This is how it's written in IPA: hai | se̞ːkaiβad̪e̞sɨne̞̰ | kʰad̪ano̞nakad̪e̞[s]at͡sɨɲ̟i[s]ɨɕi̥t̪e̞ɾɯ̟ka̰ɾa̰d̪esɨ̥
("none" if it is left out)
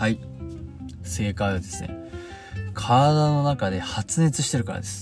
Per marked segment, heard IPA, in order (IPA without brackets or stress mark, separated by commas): h, t͡s